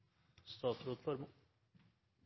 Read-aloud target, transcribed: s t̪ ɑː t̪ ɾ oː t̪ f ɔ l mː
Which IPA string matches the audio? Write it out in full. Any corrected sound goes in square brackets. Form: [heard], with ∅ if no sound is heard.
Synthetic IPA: s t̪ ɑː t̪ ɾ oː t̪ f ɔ [ɾ] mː